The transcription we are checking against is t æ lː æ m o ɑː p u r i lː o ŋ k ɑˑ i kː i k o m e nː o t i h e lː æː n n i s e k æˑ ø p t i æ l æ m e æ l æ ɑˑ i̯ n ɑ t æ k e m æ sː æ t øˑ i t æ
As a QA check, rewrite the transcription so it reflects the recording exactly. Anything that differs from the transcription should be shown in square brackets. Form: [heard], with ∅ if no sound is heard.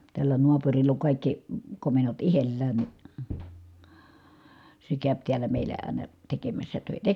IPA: t æ lː æ [n] o [ɑ] p u r i lː o ŋ k ɑˑ i kː i k o m e nː o t i h e lː æː n n i s e k æˑ ø p t i æ l æ m e [i] l æ ɑˑ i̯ n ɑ t [e] k e m æ sː æ t øˑ i t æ

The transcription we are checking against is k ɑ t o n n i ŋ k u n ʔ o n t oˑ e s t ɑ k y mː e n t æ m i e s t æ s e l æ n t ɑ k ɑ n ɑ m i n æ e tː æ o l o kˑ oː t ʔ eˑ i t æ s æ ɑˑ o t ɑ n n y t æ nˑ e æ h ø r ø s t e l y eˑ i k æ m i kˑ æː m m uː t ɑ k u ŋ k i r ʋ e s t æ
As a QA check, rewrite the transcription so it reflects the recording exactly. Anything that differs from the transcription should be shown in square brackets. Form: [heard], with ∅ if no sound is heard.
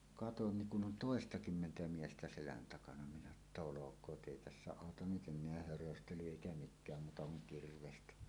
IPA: k ɑ t o n n i ŋ k u n ʔ o n t oˑ e s t ɑ k y mː e n t æ m i e s t æ s e l æ n t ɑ k ɑ n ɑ m i n æ e tː æ o l o kˑ oː t ʔ eˑ i t æ [sː] æ ɑˑ o t ɑ n n y t [e] nˑ e æ h ø r ø s t e l y eˑ i k æ m i kˑ æː m m uː t ɑ k u ŋ k i r ʋ e s t æ

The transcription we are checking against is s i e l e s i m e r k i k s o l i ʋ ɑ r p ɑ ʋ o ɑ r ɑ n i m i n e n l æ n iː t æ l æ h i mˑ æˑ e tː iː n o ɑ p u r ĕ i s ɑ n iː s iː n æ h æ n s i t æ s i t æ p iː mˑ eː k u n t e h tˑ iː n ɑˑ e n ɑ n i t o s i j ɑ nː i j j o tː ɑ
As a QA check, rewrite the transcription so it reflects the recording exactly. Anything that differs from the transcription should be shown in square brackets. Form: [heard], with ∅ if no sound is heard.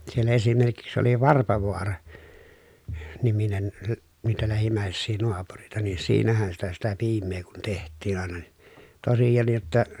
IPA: s i e l e s i m e r k i k s o l i ʋ ɑ r p ɑ ʋ o ɑ r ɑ n i m i n e n l æ n iː t æ l æ h i mˑ æˑ e [sː] iː n o ɑ p u r ĕ i [t] ɑ n iː s iː n æ h æ n s i t æ s i t æ p iː mˑ eː k u n t e h tˑ iː n ɑˑ e n ɑ n i t o s i j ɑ nː i j j o tː ɑ

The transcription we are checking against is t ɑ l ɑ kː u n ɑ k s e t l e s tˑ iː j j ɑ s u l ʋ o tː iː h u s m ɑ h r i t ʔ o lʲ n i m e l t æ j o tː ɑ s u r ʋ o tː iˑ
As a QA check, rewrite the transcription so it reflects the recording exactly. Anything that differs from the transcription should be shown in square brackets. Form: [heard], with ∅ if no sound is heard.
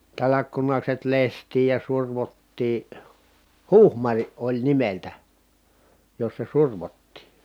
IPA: t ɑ l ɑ kː u n ɑ k s e t l e s tˑ iː j j ɑ s u [r] ʋ o tː iː h u [h] m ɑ [∅] r i [ʔ] ʔ o lʲ n i m e l t æ j o [sː] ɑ s u r ʋ o tː iˑ

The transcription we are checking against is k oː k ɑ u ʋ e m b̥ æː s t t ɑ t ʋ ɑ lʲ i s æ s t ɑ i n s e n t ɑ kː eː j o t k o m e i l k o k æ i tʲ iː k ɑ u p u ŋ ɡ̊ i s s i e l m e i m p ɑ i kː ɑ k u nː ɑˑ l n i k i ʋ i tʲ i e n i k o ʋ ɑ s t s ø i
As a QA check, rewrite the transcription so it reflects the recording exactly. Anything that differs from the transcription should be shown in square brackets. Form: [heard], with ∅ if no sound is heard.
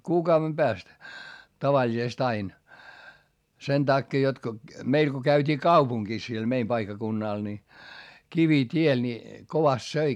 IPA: k [uː] k ɑ u ʋ e m b̥ æː s t t ɑ [∅] ʋ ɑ lʲ i s [e] s t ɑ i n s e n t ɑ kː eː j o t k o m e i l k o k æ [y] tʲ iː k ɑ u p u ŋ ɡ̊ i s s i e l m e i m p ɑ i kː ɑ k u nː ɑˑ l n i k i ʋ i tʲ i e n i k o ʋ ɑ s t s ø i

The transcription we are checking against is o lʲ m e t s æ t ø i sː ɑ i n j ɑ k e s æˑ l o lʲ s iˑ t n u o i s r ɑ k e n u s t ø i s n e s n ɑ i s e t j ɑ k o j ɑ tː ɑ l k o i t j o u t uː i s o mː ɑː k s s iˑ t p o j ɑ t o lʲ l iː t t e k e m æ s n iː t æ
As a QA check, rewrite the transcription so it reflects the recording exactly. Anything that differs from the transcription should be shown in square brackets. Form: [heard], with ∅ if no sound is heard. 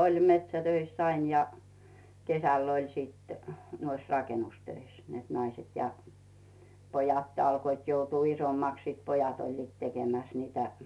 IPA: o lʲ m e t s æ t ø i sː ɑ i n j ɑ k e s æˑ [lː] o lʲ s iˑ t n u o i s r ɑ k e n u s t ø i s n e [t] n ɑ i s e t j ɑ [p] o j ɑ tː ɑ l k o i t j o u t uː i s o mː [ɑ] k s s iˑ t p o j ɑ t o lʲ l iː t t e k e m æ s n iː t æ

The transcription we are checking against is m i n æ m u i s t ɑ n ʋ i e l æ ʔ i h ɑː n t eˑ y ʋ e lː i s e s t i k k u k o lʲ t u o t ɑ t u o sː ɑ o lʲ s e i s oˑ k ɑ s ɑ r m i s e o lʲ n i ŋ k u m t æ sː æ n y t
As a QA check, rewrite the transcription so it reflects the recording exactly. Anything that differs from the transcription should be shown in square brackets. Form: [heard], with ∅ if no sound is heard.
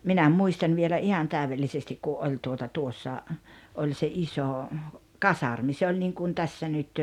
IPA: m i n æ m u i s t ɑ n ʋ i e l æ ʔ i h [ɑ] n t [æˑ] y ʋ e lː i s e s t i k k u [ʔ] o lʲ t u o t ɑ t u o sː ɑ o lʲ s e i s oˑ k ɑ s ɑ r m i s e o lʲ n i ŋ k u m t æ sː æ n y t

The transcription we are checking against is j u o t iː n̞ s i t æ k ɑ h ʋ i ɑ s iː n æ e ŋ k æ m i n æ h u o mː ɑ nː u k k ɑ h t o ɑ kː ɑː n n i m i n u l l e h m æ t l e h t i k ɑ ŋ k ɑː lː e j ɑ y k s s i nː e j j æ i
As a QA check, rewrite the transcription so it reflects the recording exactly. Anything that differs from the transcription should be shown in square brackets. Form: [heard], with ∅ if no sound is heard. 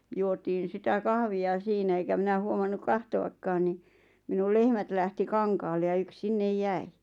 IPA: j u o t iː n̞ s i t æ k ɑ h ʋ i ɑ s iː n æ e ŋ k æ m i n æ h u o [m] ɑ nː u k k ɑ h t o ɑ kː ɑː n n i m i n u l l e h m æ t l [æ] h t i k ɑ ŋ k ɑː lː e j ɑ y k s s i nː e j j æ i

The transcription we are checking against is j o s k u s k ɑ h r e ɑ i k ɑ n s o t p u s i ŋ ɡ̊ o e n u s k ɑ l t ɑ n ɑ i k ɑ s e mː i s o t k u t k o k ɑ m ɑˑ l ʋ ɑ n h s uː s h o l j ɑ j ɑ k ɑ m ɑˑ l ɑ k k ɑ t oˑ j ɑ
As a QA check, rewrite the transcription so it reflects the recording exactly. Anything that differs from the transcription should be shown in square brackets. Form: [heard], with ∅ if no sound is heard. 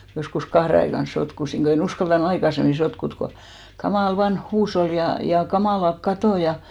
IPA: j o s k u s k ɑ h r e ɑ i k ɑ n s o t [k] u s i ŋ ɡ̊ o e n u s k ɑ l t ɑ n ɑ i k ɑ s e mː i s o t k u t k o k ɑ m ɑˑ l ʋ ɑ n h [h] uː s h o l j ɑ j ɑ k ɑ m ɑˑ l ɑ k k ɑ t oˑ j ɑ

